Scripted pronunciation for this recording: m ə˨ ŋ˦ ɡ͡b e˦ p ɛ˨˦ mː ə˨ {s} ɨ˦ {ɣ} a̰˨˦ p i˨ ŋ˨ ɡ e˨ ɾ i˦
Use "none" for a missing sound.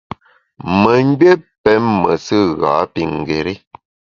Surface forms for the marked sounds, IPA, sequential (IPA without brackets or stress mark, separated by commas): s, ɣ